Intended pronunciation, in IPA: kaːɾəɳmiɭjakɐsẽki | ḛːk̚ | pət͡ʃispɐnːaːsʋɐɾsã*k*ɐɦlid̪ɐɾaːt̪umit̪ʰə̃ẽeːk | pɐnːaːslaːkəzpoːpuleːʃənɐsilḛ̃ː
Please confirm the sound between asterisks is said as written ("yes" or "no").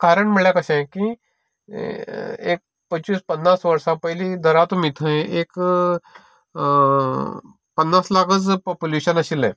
no